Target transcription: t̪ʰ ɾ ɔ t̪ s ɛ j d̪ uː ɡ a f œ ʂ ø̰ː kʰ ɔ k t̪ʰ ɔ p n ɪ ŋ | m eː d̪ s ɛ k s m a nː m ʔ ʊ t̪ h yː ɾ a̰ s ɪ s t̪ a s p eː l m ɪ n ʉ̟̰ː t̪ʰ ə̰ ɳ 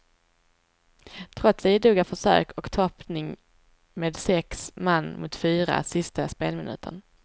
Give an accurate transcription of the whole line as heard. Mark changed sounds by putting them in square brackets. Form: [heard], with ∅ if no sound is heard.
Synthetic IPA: t̪ʰ ɾ ɔ t̪ s ɛ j d̪ uː ɡ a f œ ʂ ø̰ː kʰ ɔ k t̪ʰ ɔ p n ɪ ŋ | m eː d̪ s ɛ k s m a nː m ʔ ʊ t̪ [f] yː ɾ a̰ s ɪ s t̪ a s p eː l m ɪ n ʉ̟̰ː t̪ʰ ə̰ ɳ

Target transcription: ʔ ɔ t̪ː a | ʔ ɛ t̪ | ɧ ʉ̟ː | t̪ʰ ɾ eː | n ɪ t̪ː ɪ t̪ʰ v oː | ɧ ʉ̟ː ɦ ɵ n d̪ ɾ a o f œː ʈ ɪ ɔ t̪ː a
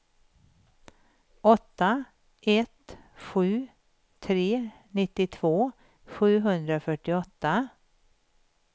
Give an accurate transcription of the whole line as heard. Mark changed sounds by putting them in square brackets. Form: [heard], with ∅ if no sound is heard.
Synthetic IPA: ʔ ɔ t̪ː a | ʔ ɛ t̪ | ɧ ʉ̟ː | t̪ʰ ɾ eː | n ɪ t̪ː ɪ t̪ʰ v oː | ɧ ʉ̟ː ɦ ɵ n d̪ ɾ a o f [œ] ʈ ɪ ɔ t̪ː a

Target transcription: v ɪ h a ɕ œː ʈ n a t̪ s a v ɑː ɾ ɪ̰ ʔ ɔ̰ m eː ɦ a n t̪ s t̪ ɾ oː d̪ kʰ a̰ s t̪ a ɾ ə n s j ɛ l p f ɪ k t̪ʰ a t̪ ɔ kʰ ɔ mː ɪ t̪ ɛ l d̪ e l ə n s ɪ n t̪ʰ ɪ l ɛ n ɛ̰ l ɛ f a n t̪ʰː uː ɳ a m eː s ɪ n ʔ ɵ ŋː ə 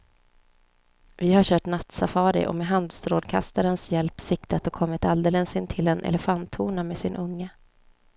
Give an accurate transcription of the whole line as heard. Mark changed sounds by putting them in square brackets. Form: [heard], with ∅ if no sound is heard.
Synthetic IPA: v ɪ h a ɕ œː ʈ n a t̪ s a [f] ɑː ɾ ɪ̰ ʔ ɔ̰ m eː ɦ a n [d̪] s t̪ ɾ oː d̪ kʰ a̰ s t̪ a ɾ ə n s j ɛ l p [s] ɪ k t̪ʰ a t̪ ɔ kʰ ɔ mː ɪ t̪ [a] l d̪ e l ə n s ɪ n t̪ʰ ɪ l ɛ n ɛ̰ l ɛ f a n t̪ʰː uː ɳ a m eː s ɪ n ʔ ɵ ŋː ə

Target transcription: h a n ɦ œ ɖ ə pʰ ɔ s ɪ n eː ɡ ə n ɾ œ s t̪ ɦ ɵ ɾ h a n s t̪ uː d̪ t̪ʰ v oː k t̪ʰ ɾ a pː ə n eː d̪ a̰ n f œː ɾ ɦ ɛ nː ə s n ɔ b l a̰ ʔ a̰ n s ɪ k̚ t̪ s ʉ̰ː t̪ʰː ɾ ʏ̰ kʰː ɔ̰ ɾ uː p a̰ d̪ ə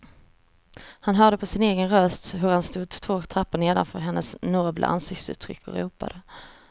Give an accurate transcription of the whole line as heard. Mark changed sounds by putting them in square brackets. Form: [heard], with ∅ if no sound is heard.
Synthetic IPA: h a n ɦ [œː] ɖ ə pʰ ɔ s ɪ n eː ɡ ə n ɾ œ s t̪ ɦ ɵ ɾ h a n s t̪ uː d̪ t̪ʰ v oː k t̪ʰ ɾ a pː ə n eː d̪ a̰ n f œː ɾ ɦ ɛ nː ə s n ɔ b l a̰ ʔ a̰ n s ɪ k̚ t̪ s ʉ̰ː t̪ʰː ɾ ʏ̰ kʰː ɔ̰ ɾ uː p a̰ d̪ ə

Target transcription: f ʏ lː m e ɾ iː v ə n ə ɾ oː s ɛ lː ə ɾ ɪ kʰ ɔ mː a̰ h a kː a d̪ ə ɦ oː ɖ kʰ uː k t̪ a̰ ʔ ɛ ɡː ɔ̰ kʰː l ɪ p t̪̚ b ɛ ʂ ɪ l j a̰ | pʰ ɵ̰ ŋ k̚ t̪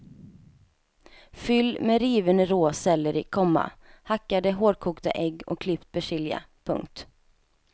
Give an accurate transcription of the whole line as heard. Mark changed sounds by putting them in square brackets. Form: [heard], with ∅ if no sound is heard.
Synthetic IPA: f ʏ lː m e ɾ iː v ə n ə ɾ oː s ɛ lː ə ɾ ɪ kʰ ɔ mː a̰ h a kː a d̪ ə ɦ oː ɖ kʰ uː k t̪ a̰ ʔ ɛ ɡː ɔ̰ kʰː l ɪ p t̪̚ b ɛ ʂ ɪ l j a̰ | pʰ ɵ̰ ŋ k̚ t̪

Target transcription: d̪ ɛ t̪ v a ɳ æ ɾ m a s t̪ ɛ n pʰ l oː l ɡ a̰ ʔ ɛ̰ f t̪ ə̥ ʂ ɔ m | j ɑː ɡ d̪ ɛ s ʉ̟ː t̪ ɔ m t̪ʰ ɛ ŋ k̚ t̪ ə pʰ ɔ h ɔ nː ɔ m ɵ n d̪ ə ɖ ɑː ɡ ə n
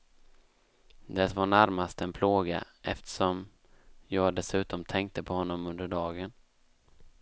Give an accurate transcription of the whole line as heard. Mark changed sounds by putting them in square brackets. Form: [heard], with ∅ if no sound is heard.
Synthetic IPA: d̪ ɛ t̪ v a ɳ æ ɾ m a s t̪ ɛ n pʰ l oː [∅] ɡ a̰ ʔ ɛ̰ f t̪ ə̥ ʂ ɔ m | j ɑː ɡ d̪ ɛ s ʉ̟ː t̪ ɔ m t̪ʰ ɛ ŋ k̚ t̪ ə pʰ ɔ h ɔ nː ɔ m ɵ n d̪ ə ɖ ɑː ɡ ə n

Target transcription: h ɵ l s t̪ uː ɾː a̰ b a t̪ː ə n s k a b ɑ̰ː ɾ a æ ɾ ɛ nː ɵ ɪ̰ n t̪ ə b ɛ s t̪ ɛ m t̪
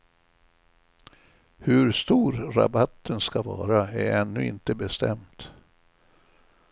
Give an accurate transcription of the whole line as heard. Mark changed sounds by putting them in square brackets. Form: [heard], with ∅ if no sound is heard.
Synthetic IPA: h ɵ [ɾ] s t̪ uː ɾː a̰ b a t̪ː ə n s k a [v] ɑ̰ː ɾ a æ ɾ ɛ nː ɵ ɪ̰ n t̪ ə b ɛ s t̪ ɛ m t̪

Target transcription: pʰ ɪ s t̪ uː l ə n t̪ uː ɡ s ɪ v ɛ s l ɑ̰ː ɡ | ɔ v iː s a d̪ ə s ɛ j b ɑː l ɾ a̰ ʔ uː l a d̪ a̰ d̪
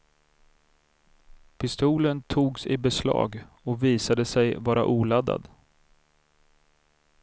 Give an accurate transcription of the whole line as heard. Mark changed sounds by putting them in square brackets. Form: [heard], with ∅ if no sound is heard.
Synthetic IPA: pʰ ɪ s t̪ uː l ə n [t̪ʰ] uː ɡ s ɪ [b] ɛ s l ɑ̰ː ɡ | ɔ v iː s a d̪ ə s ɛ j [v] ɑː [∅] ɾ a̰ ʔ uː l a d̪ a̰ d̪

